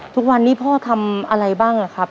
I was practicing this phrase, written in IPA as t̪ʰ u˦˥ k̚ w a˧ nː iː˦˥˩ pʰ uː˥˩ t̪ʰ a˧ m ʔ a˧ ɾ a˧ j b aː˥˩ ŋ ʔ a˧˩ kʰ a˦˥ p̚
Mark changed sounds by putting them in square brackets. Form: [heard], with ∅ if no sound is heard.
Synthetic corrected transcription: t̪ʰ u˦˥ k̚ w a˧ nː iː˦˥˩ pʰ [ɔː˥˩] t̪ʰ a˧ m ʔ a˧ ɾ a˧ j b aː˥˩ ŋ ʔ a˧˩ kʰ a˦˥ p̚